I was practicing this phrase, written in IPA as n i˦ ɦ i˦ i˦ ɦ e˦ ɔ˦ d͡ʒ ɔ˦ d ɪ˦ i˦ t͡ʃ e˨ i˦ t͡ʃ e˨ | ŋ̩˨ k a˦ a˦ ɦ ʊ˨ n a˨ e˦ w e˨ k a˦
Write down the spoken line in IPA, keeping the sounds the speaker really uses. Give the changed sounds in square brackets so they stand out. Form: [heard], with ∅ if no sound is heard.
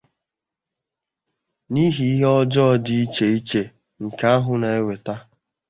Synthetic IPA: n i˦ ɦ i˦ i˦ ɦ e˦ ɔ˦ d͡ʒ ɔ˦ d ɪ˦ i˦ t͡ʃ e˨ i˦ t͡ʃ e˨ | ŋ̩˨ k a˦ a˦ ɦ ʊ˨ n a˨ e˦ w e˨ [t] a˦